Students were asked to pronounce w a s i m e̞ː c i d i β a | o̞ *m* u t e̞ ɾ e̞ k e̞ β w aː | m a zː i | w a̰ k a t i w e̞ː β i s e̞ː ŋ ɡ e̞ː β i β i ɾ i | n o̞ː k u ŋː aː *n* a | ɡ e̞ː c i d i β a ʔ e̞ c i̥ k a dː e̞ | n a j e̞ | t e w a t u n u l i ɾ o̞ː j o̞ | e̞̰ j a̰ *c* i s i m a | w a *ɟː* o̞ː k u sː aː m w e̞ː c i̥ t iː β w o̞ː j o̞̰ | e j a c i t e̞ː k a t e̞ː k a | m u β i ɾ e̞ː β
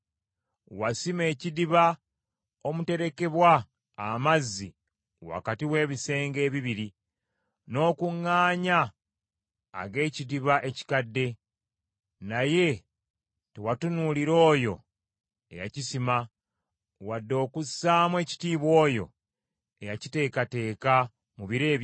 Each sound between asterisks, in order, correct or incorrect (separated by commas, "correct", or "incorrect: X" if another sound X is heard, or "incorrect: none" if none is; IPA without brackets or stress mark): correct, incorrect: ɲ, correct, incorrect: dː